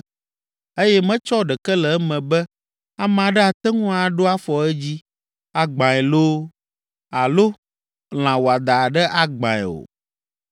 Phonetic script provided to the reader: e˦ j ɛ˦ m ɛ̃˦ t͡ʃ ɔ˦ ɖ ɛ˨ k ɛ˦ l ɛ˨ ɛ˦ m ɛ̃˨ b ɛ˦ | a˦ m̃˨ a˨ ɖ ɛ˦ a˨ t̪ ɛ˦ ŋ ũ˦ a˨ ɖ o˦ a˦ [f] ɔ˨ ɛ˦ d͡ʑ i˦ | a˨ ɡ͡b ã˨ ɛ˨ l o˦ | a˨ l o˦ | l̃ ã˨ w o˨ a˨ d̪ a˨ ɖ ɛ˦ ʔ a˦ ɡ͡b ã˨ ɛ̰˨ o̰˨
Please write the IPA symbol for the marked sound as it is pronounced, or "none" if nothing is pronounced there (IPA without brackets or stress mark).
f